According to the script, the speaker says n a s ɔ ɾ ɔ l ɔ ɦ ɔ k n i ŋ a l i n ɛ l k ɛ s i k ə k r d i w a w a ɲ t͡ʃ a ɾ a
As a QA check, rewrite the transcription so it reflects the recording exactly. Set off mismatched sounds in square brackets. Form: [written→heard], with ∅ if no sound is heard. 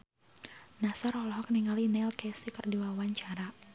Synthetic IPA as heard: n a s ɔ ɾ ɔ l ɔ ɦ ɔ k n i ŋ a l i n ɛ l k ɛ s i k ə [k→∅] r d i w a w a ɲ t͡ʃ a ɾ a